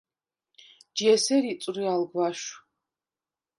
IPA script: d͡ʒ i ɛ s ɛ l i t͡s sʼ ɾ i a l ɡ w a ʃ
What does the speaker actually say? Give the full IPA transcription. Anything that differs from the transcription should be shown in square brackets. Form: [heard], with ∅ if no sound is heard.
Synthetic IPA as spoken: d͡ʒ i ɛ s ɛ [ɾ] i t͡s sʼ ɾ i a l ɡ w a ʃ